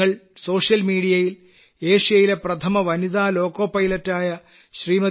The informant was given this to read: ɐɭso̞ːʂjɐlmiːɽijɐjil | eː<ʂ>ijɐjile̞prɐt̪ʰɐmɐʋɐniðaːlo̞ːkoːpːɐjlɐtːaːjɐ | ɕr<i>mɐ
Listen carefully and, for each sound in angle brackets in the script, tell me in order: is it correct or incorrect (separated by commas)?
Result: correct, incorrect